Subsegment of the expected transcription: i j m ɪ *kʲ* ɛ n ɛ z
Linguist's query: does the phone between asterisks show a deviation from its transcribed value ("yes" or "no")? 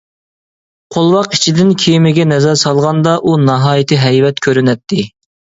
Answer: yes